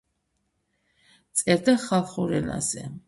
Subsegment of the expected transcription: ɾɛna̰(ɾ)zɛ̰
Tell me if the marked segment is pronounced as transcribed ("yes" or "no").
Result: no